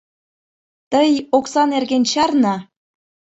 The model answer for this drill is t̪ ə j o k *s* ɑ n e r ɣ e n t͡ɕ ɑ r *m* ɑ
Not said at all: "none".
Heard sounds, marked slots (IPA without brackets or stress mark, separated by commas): s, n